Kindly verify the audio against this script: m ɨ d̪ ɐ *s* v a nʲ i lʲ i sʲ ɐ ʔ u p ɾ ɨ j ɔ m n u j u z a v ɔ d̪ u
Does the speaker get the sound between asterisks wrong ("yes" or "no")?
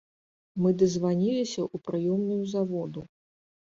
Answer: yes